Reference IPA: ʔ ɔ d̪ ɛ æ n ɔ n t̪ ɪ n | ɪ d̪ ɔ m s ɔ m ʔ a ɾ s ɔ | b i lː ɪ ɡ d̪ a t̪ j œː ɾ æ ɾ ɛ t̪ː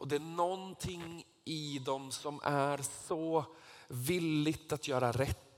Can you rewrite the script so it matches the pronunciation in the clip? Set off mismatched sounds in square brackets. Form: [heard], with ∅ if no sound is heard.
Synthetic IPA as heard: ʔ ɔ d̪ ɛ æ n ɔ n [t̪ʰ] ɪ [ŋ] | ɪ d̪ ɔ m s ɔ m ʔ [æ] ɾ s ɔ | [v] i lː ɪ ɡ [t̪] a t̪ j œː ɾ [a] ɾ ɛ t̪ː